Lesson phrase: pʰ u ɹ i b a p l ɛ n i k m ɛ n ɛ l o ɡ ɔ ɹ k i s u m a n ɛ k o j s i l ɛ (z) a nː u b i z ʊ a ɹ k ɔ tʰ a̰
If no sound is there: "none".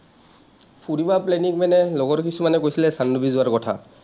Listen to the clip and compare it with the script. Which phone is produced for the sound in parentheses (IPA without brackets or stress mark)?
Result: s